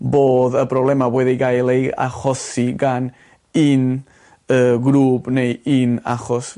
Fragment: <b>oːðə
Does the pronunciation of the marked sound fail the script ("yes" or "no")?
no